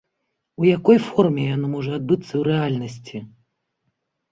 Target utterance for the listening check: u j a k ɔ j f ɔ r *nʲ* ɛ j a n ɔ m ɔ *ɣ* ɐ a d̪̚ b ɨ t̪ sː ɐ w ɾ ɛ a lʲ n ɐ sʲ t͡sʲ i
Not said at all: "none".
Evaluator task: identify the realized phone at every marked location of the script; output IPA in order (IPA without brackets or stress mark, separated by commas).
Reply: mʲ, ʐ